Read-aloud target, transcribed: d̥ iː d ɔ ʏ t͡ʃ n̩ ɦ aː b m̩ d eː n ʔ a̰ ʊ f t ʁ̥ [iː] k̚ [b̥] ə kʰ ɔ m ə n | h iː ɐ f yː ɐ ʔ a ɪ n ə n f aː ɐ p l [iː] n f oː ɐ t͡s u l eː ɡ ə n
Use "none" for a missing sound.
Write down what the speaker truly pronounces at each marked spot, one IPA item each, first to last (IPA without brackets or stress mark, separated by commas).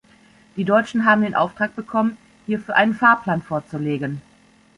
aː, b̥, aː